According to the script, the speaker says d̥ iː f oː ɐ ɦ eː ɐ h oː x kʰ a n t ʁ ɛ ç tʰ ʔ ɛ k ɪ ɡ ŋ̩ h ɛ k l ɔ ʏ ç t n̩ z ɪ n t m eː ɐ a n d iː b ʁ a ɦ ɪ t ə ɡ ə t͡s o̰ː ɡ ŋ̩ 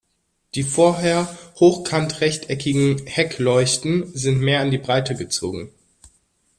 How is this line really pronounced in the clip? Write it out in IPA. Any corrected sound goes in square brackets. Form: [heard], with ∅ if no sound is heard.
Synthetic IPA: d̥ iː f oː ɐ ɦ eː ɐ h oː x kʰ a n t ʁ ɛ ç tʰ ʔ ɛ k ɪ ɡ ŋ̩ h ɛ k l ɔ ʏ ç t n̩ z ɪ n t m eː ɐ a n d iː b ʁ a [∅] ɪ t ə ɡ ə t͡s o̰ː ɡ ŋ̩